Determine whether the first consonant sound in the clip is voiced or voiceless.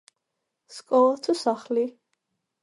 voiceless